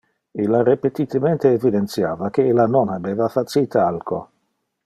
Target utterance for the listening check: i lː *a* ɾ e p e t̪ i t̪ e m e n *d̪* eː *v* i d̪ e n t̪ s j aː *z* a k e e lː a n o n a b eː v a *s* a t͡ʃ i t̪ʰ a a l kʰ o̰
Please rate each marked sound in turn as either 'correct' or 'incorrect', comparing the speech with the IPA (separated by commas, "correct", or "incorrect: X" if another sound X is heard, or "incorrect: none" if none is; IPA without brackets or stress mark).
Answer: correct, incorrect: t̪, correct, incorrect: v, incorrect: f